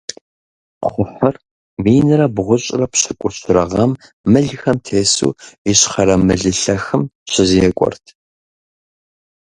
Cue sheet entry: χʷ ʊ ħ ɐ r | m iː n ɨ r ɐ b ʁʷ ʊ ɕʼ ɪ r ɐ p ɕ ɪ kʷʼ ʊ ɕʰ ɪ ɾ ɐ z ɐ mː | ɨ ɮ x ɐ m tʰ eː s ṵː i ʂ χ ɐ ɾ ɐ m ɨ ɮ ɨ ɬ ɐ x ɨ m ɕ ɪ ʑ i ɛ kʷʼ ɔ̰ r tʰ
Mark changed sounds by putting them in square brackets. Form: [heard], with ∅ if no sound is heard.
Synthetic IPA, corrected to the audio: χʷ ʊ ħ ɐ r | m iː n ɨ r ɐ b ʁʷ ʊ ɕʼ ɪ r ɐ p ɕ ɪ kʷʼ ʊ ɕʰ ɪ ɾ ɐ [ʁ] ɐ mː | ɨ ɮ x ɐ m tʰ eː s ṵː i [ɕ] χ ɐ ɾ ɐ m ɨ ɮ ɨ ɬ ɐ x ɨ m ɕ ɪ [z] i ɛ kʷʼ ɔ̰ r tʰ

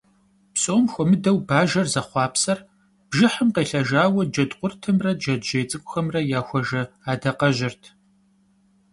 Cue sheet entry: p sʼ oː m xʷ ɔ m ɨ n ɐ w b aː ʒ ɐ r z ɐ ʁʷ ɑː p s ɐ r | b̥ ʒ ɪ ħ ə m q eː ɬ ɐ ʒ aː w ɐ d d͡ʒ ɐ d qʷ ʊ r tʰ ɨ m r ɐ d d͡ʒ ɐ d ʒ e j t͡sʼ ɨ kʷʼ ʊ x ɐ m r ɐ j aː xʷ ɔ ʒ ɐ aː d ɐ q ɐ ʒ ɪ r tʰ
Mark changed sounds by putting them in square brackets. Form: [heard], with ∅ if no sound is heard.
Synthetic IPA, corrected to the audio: p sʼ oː m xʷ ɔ m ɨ [d] ɐ w b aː ʒ ɐ r z ɐ [χʷ] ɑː p s ɐ r | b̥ ʒ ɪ ħ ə m q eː ɬ ɐ ʒ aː w ɐ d d͡ʒ ɐ d qʷ ʊ r tʰ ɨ m r ɐ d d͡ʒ ɐ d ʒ e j t͡sʼ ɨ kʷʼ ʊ x ɐ m r ɐ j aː xʷ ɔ ʒ ɐ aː d ɐ q ɐ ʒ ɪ r tʰ

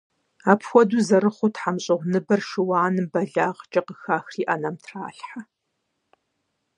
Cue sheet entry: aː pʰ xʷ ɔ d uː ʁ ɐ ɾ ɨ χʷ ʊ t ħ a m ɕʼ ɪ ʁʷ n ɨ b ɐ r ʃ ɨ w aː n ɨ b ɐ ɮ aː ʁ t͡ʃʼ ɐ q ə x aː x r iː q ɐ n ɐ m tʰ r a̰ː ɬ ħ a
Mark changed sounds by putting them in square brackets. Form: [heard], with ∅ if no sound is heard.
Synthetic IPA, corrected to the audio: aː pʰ xʷ ɔ d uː [z] ɐ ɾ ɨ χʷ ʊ t ħ a m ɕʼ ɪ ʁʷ n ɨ b ɐ r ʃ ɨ w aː n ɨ b ɐ ɮ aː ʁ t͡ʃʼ ɐ q ə x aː x r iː [ʔ] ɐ n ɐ m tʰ r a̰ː ɬ ħ a

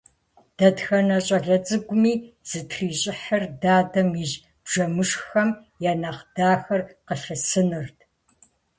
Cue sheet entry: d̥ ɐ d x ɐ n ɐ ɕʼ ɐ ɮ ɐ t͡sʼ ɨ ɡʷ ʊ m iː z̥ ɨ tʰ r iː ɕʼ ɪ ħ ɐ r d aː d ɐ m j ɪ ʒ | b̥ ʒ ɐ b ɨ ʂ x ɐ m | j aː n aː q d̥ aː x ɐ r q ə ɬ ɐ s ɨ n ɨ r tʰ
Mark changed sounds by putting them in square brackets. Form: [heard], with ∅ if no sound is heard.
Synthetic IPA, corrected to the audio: d̥ ɐ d x ɐ n ɐ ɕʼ ɐ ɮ ɐ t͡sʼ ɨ ɡʷ ʊ m iː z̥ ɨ tʰ r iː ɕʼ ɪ ħ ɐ r d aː d ɐ m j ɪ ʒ | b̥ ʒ ɐ [m] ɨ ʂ x ɐ m | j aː n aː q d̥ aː x ɐ r q ə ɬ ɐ s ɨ n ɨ r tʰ

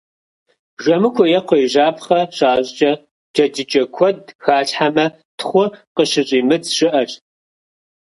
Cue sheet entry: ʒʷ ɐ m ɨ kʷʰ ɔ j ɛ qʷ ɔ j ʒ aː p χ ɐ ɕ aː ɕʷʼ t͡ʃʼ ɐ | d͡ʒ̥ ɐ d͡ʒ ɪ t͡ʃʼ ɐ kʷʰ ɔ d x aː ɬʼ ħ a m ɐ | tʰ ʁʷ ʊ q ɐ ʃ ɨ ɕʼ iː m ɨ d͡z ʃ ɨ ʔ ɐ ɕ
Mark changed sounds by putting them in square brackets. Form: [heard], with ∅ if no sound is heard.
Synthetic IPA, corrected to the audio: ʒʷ ɐ m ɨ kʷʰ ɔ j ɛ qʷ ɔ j ʒ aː p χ ɐ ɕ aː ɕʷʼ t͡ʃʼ ɐ | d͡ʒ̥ ɐ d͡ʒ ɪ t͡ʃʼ ɐ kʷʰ ɔ d x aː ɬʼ ħ a m ɐ | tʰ [χʷ] ʊ q [ə] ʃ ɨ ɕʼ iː m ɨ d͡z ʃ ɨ ʔ ɐ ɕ

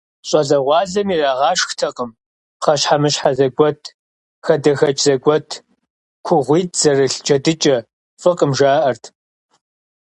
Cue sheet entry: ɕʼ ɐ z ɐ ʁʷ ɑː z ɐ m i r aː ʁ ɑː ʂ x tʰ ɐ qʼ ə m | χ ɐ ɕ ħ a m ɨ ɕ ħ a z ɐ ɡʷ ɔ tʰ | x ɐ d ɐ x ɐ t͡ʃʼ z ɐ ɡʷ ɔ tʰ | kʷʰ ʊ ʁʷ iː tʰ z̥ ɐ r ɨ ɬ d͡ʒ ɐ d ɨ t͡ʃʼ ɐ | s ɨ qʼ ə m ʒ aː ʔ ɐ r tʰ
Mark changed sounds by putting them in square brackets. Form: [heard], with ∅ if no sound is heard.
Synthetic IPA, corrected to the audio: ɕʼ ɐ z ɐ ʁʷ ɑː z ɐ m i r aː ʁ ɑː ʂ x tʰ ɐ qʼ ə m | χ ɐ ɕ ħ a m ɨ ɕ ħ a z ɐ ɡʷ ɔ tʰ | x ɐ d ɐ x ɐ t͡ʃʼ z ɐ ɡʷ ɔ tʰ | kʷʰ ʊ ʁʷ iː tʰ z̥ ɐ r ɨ ɬ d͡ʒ ɐ d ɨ t͡ʃʼ ɐ | [f] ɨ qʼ ə m ʒ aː ʔ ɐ r tʰ

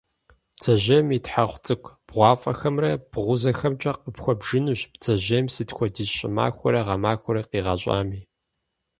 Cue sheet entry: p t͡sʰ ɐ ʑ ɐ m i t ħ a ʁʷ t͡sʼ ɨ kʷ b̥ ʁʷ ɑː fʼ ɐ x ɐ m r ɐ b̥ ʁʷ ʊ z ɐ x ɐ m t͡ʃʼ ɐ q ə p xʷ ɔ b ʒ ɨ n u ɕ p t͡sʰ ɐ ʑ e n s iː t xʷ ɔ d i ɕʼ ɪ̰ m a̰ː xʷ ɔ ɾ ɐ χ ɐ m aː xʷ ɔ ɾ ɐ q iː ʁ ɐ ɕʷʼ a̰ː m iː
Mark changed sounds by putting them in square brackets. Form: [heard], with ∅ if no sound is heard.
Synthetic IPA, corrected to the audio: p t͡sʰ ɐ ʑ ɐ m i t ħ a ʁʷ t͡sʼ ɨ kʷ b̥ ʁʷ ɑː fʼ ɐ x ɐ m r ɐ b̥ ʁʷ ʊ z ɐ x ɐ m t͡ʃʼ ɐ q ə p xʷ ɔ b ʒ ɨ n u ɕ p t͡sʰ ɐ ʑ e [m] s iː t xʷ ɔ d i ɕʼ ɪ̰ m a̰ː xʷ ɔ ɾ ɐ [ʁ] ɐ m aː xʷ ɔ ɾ ɐ q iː ʁ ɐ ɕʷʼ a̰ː m iː

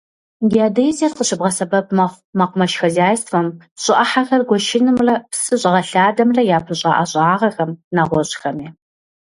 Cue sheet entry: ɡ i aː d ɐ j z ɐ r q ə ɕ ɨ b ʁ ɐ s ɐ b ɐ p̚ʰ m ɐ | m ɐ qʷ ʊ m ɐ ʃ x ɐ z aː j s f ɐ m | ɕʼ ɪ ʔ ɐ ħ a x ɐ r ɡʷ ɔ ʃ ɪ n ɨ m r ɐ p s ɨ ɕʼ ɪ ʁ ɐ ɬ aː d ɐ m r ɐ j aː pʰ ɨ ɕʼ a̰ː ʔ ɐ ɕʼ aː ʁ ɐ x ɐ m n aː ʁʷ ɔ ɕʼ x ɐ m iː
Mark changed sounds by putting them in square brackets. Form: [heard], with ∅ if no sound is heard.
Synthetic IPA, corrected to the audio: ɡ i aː d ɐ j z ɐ r q ə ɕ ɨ b ʁ ɐ s ɐ b ɐ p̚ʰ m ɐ | m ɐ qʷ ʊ m ɐ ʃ x ɐ z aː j s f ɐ m | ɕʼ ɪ ʔ ɐ ħ a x ɐ r ɡʷ ɔ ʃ ɪ n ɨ m r ɐ p s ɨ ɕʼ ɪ ʁ ɐ ɬ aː d ɐ m r ɐ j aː pʰ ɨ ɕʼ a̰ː ʔ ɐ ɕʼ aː ʁ ɐ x ɐ m n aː ʁʷ ɔ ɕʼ x ɐ m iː

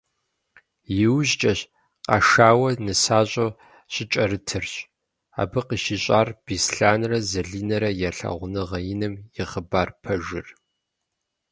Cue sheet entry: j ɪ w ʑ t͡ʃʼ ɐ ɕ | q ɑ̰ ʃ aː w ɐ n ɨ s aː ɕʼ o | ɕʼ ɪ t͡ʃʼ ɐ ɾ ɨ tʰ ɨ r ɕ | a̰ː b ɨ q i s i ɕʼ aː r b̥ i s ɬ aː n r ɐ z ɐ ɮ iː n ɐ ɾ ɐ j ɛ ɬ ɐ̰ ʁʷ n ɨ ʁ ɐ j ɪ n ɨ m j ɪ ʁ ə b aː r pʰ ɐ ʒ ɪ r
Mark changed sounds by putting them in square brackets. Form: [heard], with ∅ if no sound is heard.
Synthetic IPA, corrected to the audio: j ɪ w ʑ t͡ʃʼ ɐ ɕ | q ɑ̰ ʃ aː w ɐ n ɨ s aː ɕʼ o | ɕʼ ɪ t͡ʃʼ ɐ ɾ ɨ tʰ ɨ r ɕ | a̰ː b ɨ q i [ʃ] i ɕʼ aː r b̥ i s ɬ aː n r ɐ z ɐ ɮ iː n ɐ ɾ ɐ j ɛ ɬ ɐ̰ ʁʷ n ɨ ʁ ɐ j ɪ n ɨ m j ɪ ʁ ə b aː r pʰ ɐ ʒ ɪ r

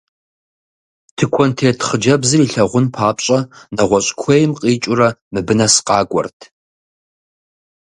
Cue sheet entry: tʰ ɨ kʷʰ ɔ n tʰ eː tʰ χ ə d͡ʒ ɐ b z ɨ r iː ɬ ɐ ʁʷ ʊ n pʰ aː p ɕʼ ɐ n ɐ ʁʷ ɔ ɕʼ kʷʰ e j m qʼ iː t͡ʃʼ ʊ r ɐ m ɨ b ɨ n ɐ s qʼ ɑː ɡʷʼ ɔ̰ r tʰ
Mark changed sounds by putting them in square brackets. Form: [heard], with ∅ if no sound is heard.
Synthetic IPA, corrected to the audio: tʰ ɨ kʷʰ ɔ n tʰ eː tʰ χ ə d͡ʒ ɐ b z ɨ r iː ɬ ɐ ʁʷ ʊ n pʰ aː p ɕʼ ɐ n ɐ ʁʷ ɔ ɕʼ kʷʰ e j m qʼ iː t͡ʃʼ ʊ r ɐ m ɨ b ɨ n ɐ s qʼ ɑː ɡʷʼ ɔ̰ r tʰ

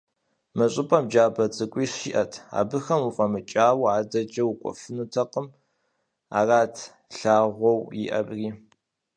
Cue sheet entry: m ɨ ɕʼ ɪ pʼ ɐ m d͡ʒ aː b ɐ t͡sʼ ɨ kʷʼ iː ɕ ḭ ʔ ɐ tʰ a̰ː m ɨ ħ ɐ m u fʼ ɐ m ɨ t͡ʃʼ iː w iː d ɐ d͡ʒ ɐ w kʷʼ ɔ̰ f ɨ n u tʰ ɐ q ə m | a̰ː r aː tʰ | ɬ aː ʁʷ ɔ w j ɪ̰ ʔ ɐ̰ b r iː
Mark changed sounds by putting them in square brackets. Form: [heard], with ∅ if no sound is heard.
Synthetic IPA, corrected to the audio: m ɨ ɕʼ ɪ pʼ ɐ m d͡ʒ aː b ɐ t͡sʼ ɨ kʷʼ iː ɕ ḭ ʔ ɐ tʰ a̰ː [b] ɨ [x] ɐ m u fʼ ɐ m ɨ t͡ʃʼ [aː] w [aː] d ɐ d͡ʒ ɐ w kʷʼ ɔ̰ f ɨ n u tʰ ɐ q ə m | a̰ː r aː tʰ | ɬ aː ʁʷ ɔ w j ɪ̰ ʔ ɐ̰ b r iː

